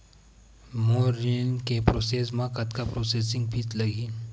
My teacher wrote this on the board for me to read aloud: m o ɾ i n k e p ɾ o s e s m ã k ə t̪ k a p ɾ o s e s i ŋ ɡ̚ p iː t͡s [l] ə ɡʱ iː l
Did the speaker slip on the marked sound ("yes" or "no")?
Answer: no